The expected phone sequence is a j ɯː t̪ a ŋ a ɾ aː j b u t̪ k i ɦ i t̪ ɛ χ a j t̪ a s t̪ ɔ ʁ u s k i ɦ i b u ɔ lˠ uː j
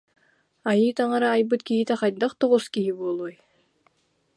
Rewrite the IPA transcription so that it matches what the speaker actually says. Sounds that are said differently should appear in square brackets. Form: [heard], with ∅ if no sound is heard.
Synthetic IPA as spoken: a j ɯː t̪ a ŋ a ɾ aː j b [ɯ] t̪ k i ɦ i t̪ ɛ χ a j [d̪] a [χ] t̪ ɔ ʁ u s k i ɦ i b u ɔ lˠ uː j